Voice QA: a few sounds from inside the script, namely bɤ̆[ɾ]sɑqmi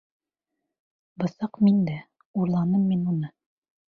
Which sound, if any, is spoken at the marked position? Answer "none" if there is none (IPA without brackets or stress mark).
none